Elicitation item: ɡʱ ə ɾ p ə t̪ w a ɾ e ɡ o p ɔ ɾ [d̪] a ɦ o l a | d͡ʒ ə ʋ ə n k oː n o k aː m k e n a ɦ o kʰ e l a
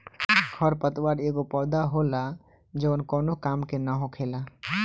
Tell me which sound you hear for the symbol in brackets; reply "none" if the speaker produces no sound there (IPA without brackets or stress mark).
d̪